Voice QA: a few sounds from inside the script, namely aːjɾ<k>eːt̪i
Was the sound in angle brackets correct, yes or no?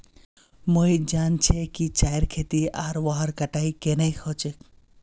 no